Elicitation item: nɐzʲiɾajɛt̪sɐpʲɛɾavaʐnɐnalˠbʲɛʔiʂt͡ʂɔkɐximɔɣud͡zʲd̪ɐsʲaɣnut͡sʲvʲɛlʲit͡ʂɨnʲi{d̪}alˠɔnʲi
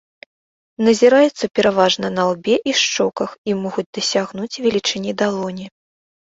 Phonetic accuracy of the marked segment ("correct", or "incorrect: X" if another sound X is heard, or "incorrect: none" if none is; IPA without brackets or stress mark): correct